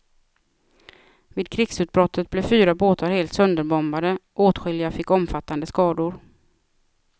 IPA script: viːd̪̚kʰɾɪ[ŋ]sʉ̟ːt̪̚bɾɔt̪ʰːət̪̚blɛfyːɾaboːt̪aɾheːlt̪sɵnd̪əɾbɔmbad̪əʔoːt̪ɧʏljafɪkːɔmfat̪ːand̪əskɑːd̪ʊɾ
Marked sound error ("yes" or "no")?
yes